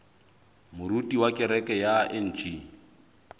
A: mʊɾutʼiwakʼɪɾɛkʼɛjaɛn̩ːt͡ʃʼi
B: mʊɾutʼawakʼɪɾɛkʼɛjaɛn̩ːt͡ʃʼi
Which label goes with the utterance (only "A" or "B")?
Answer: A